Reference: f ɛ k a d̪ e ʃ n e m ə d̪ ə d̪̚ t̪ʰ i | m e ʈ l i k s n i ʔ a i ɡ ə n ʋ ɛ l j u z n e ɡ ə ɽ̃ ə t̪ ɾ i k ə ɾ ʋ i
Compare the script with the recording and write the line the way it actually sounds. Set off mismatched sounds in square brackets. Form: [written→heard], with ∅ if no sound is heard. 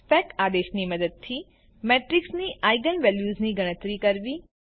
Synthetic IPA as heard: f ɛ k a d̪ e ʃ n [e→i] m ə d̪ ə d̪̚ t̪ʰ i | m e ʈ [l→ɾ] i k s n i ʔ a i ɡ ə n ʋ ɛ l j u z n [e→i] ɡ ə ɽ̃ ə t̪ ɾ i k ə ɾ ʋ i